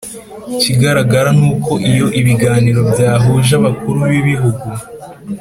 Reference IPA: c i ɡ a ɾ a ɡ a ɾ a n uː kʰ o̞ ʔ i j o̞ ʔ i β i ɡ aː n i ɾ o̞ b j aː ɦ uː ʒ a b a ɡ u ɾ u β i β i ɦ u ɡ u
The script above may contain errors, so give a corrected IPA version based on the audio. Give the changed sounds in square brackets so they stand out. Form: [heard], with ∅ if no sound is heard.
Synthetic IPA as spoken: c i ɡ a ɾ a ɡ a ɾ a n uː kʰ o̞ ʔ i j o̞ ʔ i β i ɡ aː n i ɾ o̞ b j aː ɦ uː ʒ a [β] a [k] u ɾ u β i β i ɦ u ɡ u